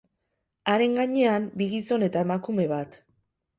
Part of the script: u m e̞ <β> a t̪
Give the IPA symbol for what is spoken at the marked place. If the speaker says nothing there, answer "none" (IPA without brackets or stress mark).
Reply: β